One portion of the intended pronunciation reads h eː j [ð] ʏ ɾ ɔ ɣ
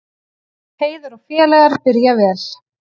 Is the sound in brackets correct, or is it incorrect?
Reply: correct